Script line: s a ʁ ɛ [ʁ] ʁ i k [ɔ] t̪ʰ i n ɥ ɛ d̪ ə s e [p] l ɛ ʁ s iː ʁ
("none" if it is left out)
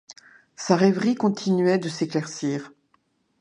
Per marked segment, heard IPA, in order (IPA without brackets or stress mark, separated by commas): v, ɔ̃, k